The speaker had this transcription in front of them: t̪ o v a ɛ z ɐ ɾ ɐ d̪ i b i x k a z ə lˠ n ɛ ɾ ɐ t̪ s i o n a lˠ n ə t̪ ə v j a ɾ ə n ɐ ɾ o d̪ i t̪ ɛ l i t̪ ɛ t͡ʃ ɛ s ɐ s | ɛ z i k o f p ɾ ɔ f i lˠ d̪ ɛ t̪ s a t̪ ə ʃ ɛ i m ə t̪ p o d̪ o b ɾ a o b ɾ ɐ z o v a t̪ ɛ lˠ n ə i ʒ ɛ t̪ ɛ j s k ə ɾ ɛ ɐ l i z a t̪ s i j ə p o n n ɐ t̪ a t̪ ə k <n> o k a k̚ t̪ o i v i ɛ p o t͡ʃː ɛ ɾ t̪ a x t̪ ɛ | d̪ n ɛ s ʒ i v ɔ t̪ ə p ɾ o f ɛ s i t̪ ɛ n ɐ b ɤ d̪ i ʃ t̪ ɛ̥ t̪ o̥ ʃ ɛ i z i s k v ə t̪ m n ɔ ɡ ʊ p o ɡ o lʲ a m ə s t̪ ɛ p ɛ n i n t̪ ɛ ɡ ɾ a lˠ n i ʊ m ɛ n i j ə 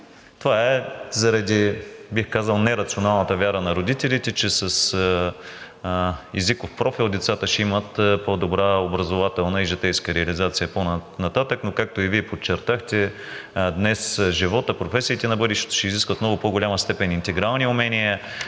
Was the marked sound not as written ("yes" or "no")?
no